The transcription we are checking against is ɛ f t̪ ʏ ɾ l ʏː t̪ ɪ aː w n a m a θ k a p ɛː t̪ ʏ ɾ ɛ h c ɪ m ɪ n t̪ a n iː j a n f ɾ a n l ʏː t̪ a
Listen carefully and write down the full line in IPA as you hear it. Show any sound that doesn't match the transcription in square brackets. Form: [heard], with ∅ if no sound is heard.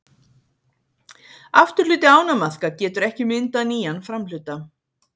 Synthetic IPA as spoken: [a] f t̪ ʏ ɾ l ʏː t̪ ɪ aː w n a m a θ k a [c] ɛː t̪ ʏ ɾ ɛ h c ɪ m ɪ n t̪ a n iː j a n f ɾ a [m] l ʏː t̪ a